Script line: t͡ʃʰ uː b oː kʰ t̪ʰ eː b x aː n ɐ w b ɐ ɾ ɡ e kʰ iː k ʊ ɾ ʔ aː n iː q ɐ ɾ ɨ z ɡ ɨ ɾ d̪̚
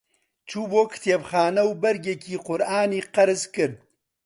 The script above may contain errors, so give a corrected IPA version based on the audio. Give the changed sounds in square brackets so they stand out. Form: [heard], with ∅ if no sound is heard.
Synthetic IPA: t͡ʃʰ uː b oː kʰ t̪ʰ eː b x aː n ɐ w b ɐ ɾ ɡ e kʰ iː [q] ʊ ɾ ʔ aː n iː q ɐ ɾ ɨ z [k] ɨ ɾ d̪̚